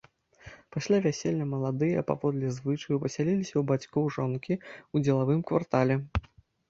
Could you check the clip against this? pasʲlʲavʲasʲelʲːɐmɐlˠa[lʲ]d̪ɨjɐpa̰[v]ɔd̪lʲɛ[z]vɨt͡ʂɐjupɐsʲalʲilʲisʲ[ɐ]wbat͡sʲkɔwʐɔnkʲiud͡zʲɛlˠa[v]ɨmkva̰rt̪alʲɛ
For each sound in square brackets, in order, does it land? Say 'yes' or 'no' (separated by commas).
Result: no, yes, yes, yes, yes